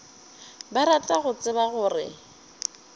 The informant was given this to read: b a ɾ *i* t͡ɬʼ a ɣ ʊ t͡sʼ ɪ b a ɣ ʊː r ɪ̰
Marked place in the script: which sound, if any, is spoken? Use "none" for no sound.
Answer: a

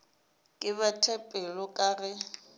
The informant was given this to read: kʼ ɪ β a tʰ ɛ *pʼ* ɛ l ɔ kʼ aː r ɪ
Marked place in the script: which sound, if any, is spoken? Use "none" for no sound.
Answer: pʼ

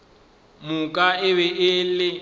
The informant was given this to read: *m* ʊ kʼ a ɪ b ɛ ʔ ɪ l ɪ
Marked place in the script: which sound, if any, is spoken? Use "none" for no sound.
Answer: m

